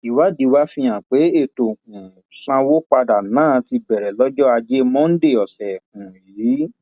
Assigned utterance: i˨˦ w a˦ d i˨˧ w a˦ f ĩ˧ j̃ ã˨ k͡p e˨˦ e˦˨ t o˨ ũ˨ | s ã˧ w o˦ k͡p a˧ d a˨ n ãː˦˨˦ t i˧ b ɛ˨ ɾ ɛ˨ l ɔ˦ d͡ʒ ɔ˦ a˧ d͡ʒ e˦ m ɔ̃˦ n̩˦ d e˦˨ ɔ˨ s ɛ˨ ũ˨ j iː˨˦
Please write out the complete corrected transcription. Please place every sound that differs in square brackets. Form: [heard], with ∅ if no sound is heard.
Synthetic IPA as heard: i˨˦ w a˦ d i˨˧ w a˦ f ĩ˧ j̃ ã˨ k͡p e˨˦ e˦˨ t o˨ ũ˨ | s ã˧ w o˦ k͡p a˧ d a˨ n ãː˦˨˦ t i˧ b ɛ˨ ɾ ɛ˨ l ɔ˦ d͡ʒ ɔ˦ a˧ d͡ʒ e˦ m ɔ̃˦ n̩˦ d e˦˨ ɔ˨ s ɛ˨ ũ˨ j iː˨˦